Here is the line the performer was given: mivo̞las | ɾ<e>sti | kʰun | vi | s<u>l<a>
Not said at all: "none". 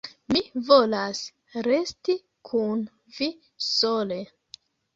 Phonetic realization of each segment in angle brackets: e, o, e

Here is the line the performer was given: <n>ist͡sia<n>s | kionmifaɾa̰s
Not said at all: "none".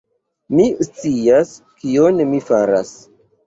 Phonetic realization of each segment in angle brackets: m, none

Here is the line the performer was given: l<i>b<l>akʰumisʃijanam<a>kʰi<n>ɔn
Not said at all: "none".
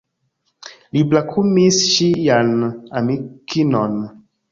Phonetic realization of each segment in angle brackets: i, l, i, n

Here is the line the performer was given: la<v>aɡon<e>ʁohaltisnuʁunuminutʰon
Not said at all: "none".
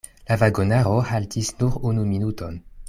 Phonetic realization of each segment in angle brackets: v, a

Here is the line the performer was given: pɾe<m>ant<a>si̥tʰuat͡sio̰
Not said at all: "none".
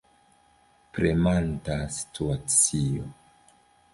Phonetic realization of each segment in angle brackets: m, a

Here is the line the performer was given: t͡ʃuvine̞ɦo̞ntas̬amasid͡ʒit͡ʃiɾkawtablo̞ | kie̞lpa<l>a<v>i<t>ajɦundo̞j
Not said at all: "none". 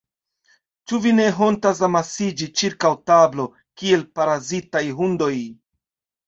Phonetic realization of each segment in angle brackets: ɾ, z, t

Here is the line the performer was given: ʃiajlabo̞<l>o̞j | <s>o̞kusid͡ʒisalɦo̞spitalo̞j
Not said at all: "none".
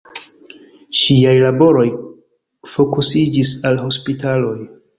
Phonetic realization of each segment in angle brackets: ɾ, f

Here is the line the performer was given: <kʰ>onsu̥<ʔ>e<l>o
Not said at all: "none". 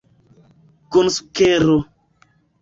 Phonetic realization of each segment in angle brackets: k, k, ɾ

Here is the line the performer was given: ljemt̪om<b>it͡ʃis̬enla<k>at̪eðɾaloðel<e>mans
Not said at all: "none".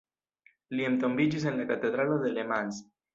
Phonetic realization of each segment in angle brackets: b, k, e

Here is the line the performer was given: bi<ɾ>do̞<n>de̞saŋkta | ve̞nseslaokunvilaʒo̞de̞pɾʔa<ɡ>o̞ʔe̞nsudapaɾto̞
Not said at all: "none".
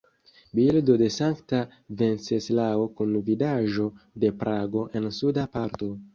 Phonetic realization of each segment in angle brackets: l, none, ɡ

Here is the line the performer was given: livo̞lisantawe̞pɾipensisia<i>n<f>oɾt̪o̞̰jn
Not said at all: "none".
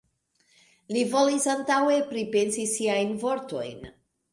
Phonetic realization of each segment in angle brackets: j, v

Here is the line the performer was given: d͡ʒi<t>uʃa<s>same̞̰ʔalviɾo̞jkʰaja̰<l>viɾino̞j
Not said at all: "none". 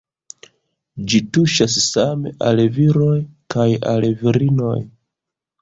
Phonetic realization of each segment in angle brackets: t, s, l

